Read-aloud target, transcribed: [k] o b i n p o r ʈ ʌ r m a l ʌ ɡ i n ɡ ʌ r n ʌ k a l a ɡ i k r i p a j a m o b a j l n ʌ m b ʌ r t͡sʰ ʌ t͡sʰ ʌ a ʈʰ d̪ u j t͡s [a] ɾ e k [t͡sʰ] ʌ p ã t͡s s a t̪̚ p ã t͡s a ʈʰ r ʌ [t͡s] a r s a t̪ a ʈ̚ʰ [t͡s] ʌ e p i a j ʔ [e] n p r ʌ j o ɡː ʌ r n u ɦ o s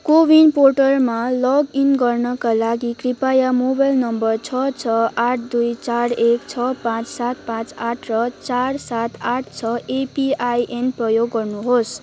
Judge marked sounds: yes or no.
yes, yes, yes, yes, no, yes

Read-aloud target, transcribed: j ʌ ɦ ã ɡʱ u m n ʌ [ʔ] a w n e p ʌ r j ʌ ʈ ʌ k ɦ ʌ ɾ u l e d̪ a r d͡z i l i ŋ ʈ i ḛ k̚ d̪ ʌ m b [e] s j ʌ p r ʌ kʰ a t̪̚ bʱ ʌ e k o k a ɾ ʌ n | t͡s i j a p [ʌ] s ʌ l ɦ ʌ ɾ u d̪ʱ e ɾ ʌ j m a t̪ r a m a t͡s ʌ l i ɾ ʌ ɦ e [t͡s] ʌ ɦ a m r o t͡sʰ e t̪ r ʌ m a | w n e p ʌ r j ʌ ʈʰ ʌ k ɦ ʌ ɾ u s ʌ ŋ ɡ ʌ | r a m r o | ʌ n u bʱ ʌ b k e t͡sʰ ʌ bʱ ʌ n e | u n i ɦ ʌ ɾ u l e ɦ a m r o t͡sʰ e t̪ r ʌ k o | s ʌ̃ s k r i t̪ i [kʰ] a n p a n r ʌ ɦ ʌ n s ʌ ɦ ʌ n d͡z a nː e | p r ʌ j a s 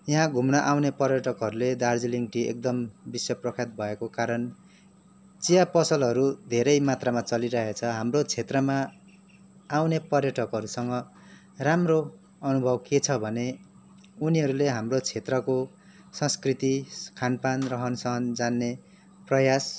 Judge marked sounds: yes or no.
yes, no, yes, no, yes

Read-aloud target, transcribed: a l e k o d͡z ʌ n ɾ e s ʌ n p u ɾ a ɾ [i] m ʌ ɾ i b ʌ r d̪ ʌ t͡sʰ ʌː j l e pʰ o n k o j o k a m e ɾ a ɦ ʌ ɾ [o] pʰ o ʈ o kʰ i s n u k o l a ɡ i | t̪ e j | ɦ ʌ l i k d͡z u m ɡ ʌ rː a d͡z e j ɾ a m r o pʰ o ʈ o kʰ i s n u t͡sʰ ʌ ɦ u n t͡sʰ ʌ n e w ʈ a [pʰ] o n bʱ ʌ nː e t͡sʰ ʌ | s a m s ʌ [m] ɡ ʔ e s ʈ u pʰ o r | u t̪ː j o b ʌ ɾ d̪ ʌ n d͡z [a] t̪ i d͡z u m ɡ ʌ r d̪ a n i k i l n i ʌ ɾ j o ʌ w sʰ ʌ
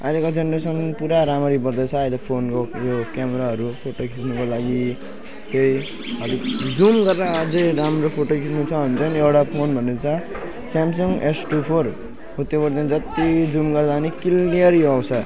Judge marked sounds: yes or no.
no, no, yes, no, no

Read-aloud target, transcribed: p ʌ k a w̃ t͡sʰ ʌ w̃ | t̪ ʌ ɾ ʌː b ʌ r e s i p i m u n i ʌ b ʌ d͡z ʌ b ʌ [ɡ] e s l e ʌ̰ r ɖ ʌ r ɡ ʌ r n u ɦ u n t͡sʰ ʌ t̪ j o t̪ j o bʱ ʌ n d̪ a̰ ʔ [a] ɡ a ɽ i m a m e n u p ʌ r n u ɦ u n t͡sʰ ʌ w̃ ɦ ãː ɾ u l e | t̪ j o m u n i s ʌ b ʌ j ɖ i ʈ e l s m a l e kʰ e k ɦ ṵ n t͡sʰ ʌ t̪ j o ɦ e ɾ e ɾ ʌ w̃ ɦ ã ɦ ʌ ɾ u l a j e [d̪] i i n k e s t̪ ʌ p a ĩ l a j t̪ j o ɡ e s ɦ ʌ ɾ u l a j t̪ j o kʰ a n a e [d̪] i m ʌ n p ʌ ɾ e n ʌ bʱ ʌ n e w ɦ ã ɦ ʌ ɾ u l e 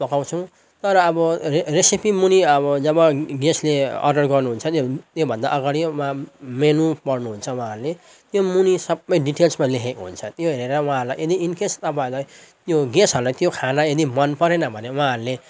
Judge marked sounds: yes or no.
yes, no, yes, yes

